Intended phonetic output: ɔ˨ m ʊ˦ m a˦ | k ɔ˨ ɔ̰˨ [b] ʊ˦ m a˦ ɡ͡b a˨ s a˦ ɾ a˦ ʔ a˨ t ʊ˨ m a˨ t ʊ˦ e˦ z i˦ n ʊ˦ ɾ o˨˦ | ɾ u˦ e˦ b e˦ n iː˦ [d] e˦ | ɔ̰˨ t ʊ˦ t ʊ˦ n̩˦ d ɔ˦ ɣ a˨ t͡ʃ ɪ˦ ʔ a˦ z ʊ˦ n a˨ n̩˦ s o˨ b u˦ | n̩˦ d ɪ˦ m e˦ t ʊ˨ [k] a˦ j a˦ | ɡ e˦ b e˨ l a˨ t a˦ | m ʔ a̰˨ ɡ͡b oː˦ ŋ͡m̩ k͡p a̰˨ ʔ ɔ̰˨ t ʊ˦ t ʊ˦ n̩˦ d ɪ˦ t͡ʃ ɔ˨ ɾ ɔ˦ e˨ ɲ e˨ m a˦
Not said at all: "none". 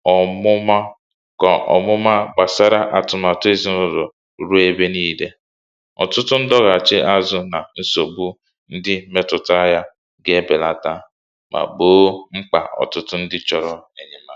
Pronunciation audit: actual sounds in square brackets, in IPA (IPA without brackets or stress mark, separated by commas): m, d, t